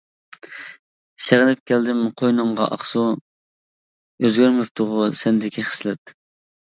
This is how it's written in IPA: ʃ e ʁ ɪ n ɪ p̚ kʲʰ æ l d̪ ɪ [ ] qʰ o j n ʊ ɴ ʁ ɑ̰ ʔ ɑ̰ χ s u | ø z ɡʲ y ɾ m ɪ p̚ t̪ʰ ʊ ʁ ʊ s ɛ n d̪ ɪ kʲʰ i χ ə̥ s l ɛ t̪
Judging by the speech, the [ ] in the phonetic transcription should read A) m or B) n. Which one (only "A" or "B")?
A